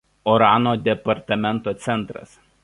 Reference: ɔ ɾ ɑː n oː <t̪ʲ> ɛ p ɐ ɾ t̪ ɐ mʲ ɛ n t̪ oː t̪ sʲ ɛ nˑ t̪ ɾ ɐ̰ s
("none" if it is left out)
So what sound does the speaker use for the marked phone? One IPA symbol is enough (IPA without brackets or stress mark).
d̪ʲ